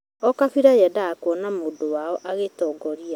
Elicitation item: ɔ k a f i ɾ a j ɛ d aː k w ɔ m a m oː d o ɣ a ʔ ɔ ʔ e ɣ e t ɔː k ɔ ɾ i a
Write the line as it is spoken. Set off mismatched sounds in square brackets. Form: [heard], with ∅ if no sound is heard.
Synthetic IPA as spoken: ɔ k a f i ɾ a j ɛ d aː k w ɔ [n] a m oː d o [w] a [∅] ɔ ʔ [a] ɣ e t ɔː [ɡ] ɔ ɾ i a

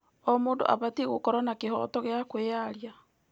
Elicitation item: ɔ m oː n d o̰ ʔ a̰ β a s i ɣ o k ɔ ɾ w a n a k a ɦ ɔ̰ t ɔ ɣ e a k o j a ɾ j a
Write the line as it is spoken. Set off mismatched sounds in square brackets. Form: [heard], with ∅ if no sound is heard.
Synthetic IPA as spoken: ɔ m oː n d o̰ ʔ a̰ β a [t] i ɣ o k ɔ ɾ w a n a k [e] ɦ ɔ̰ t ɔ ɣ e a k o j a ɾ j a

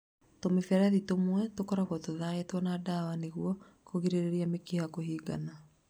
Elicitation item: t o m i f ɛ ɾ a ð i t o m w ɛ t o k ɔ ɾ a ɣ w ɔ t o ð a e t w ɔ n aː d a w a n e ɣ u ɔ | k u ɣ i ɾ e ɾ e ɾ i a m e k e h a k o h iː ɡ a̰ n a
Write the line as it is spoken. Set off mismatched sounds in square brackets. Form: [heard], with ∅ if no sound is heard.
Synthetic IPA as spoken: t o m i f ɛ ɾ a ð i t o m w ɛ t o k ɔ ɾ a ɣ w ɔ t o ð a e t w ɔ n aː d a w a n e ɣ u ɔ | k [o] ɣ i ɾ e ɾ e ɾ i a m e k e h a k o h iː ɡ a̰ n a

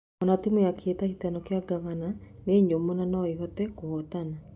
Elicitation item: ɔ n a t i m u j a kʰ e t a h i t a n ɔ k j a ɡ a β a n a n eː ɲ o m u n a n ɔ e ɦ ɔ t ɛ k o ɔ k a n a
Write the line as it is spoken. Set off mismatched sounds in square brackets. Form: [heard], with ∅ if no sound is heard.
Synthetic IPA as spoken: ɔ n a t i m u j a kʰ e t a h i t a n ɔ k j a ɡ a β a n a n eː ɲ o m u n a n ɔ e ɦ ɔ t ɛ k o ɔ [t] a n a

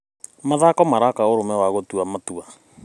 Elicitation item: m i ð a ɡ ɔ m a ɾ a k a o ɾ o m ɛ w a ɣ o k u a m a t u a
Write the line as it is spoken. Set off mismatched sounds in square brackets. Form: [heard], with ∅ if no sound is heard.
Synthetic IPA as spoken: m [a] ð a [k] ɔ m a ɾ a k a o ɾ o m ɛ w a ɣ o [t] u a m a t u a

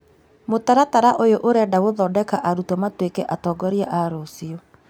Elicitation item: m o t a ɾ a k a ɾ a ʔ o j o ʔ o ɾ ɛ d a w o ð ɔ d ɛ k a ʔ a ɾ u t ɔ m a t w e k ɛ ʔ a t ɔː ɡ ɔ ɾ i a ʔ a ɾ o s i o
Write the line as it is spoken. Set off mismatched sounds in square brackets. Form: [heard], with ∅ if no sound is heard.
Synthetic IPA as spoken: m o t a ɾ a [t] a ɾ a ʔ o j o ʔ o ɾ ɛ d a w o ð ɔ d ɛ k a ʔ a ɾ u t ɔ m a t w e k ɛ ʔ a t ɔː ɡ ɔ ɾ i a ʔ a ɾ o s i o

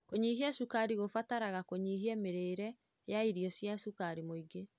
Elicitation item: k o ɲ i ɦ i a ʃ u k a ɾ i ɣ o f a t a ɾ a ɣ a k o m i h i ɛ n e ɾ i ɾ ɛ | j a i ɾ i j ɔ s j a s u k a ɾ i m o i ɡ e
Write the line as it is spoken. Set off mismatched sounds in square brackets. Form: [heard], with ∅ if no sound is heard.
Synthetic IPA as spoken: k o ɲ i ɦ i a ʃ u k a ɾ i ɣ o f a t a ɾ a ɣ a k o [ɲ] i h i ɛ [m] e ɾ [e] ɾ ɛ | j a i ɾ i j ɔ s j a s u k a ɾ i m o i ɡ e

